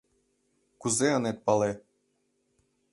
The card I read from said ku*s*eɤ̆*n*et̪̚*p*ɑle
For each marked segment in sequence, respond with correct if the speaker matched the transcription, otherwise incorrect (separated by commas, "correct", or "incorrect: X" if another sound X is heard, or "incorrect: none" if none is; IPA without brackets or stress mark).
incorrect: z, correct, correct